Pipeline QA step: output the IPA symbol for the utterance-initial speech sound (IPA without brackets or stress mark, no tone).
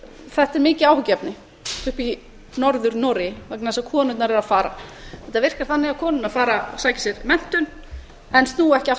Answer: θ